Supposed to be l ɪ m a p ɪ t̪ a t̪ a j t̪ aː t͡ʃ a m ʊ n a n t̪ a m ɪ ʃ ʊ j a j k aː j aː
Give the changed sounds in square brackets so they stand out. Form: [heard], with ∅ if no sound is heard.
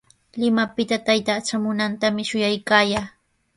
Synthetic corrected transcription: l ɪ m a p ɪ t̪ a t̪ a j t̪ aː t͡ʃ a m ʊ n a n t̪ a m ɪ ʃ ʊ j a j k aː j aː